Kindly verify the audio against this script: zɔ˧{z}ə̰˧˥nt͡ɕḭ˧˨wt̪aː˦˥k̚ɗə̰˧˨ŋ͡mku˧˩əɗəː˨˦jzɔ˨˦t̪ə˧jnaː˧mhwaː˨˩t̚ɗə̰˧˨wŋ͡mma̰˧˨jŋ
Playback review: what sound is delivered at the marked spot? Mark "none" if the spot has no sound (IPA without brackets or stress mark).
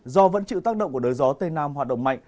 v